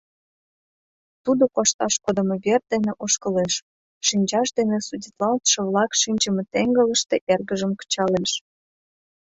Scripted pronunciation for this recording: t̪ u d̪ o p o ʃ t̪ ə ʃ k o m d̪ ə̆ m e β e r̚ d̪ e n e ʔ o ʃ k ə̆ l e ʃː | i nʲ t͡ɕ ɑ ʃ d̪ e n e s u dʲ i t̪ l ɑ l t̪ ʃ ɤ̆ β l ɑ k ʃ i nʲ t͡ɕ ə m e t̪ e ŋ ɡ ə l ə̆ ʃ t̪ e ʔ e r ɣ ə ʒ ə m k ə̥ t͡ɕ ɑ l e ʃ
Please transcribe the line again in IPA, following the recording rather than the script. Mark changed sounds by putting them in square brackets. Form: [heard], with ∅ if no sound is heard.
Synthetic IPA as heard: t̪ u d̪ o [k] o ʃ t̪ [ɑ] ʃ k o [∅] d̪ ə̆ m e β e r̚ d̪ e n e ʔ o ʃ k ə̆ l e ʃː | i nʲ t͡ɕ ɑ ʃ d̪ e n e s u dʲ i t̪ l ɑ l t̪ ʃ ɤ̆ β l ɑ k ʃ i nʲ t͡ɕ ə m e t̪ e ŋ ɡ ə l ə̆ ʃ t̪ e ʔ e r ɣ ə ʒ ə m k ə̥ t͡ɕ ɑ l e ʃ

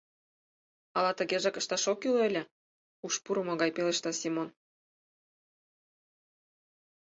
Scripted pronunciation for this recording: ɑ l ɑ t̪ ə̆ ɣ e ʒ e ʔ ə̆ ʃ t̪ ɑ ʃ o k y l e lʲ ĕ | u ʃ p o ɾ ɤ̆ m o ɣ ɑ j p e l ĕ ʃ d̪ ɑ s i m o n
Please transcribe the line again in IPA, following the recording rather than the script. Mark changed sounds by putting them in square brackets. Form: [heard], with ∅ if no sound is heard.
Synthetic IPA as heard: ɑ l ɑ t̪ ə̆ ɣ e ʒ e [k] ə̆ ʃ t̪ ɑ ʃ o k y l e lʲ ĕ | u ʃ p [u] ɾ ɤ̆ m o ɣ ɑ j p e l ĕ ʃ [t̪] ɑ s i m o n

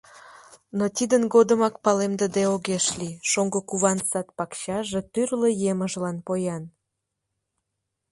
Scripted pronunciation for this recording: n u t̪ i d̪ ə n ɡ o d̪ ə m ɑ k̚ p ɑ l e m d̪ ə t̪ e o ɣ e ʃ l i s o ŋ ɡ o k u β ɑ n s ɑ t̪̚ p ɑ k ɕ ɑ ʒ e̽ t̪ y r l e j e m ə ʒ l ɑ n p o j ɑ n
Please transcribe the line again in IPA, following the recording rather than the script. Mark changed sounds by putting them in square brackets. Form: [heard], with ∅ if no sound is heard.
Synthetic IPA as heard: n [o] t̪ i d̪ ə n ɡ o d̪ ə m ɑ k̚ p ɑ l e m d̪ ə [d̪] e o ɣ e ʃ l i [ʃ] o ŋ ɡ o k u β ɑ n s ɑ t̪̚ p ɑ k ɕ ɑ ʒ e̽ t̪ y r l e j e m ə ʒ l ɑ n p o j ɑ n

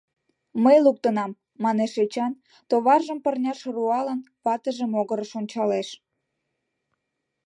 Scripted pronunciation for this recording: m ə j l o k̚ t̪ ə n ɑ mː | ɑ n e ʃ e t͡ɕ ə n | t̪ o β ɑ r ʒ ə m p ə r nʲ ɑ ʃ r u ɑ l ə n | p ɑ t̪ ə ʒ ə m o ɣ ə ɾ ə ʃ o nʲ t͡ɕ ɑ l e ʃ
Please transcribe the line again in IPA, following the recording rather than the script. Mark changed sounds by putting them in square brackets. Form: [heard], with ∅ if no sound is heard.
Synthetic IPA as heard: m ə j l [u] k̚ t̪ ə n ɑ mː | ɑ n e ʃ e t͡ɕ [ɑ] n | t̪ o β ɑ r ʒ ə m p ə r nʲ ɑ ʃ r u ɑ l ə n | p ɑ t̪ ə ʒ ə m o ɣ ə ɾ ə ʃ o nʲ t͡ɕ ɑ l e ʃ

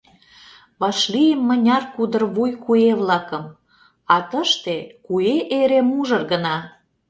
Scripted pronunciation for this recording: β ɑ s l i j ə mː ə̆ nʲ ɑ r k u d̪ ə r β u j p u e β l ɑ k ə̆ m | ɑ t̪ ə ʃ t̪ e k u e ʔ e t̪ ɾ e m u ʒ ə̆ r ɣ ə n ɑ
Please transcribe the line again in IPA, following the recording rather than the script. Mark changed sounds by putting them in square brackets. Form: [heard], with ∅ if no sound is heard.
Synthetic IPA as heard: β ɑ [ʃ] l i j ə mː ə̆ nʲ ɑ r k u d̪ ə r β u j [k] u e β l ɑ k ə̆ m | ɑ t̪ ə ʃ t̪ e k u e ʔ e [∅] ɾ e m u ʒ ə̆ r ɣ ə n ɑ

